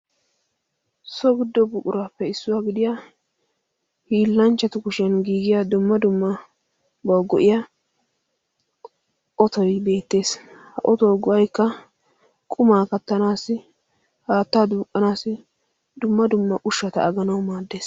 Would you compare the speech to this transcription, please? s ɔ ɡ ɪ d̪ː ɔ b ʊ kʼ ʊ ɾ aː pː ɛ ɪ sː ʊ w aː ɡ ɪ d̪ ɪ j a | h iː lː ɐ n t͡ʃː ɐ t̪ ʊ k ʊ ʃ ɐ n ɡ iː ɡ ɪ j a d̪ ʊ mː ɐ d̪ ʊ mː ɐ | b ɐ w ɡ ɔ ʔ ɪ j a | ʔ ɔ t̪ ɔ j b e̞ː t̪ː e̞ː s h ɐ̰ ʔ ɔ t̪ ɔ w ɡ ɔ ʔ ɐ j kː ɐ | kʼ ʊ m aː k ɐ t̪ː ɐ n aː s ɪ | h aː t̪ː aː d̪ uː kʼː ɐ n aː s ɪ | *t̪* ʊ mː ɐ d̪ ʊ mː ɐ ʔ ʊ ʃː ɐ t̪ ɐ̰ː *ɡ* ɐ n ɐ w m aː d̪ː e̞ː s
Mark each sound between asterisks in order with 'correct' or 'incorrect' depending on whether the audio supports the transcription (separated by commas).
incorrect, correct